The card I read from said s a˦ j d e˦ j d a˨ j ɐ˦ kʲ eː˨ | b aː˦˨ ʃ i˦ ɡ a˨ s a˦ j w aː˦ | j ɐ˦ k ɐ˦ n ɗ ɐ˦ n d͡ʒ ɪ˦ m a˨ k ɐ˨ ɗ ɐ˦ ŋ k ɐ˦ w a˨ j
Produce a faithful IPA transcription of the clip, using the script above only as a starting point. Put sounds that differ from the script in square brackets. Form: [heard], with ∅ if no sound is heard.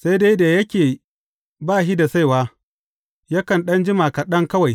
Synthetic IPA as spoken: s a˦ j d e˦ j d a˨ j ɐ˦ kʲ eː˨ | b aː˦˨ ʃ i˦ [d] a˨ s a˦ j w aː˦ | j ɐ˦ k [ɐ˨] n ɗ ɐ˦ n d͡ʒ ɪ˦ m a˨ k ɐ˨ ɗ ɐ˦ ŋ k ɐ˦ w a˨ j